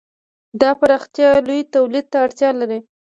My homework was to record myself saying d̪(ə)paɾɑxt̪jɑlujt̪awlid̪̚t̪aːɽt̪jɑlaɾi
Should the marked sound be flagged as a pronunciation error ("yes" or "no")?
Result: yes